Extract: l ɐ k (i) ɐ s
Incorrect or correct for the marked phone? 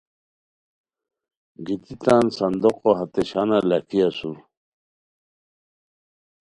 correct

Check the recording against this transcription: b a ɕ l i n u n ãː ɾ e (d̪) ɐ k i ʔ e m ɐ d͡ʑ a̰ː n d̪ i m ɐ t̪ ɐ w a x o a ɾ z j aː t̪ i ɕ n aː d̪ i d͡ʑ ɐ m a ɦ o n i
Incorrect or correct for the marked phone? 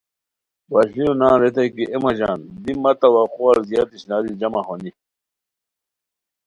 incorrect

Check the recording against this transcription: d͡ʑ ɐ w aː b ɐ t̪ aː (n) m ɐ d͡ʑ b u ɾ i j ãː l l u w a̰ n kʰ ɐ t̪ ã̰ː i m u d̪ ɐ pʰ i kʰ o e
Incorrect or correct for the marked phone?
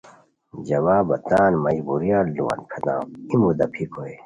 correct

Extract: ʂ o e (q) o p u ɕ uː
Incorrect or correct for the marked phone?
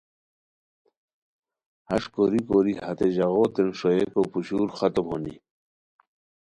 incorrect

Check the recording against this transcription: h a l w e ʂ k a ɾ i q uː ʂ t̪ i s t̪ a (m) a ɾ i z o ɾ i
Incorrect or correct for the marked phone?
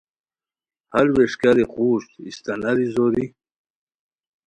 incorrect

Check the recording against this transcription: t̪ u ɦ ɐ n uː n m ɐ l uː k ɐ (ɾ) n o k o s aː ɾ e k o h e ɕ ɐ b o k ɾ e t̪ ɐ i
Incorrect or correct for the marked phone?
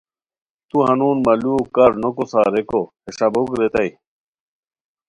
correct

